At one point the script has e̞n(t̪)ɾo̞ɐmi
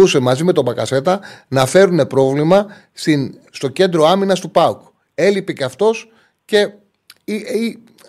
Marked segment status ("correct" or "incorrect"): incorrect